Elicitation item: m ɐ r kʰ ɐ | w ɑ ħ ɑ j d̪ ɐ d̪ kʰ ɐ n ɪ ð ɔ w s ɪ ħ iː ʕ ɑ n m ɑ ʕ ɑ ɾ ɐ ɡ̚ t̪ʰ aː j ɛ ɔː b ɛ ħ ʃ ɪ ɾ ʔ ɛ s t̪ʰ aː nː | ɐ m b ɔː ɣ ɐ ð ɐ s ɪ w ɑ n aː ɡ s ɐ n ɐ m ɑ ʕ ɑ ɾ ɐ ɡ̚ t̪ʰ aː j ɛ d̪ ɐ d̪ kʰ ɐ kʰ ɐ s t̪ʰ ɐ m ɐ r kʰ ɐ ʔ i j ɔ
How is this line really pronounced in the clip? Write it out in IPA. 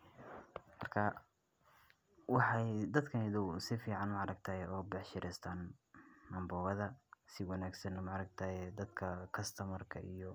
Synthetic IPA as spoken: m ɐ r kʰ ɐ | w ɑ ħ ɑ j d̪ ɐ d̪ kʰ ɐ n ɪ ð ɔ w s ɪ f iː ʕ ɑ n m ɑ ʕ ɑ ɾ ɐ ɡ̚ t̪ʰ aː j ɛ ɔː b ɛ ħ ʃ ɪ ɾ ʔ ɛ s t̪ʰ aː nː | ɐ m b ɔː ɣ ɐ ð ɐ s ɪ w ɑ n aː ɡ s ɐ n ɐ m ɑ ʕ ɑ ɾ ɐ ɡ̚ t̪ʰ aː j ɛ d̪ ɐ d̪ kʰ ɐ kʰ ɐ s t̪ʰ ɐ m ɐ r kʰ ɐ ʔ i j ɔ